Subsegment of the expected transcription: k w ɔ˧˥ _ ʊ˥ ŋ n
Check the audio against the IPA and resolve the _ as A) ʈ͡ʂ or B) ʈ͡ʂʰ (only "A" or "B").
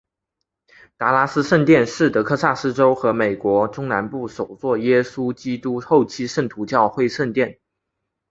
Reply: A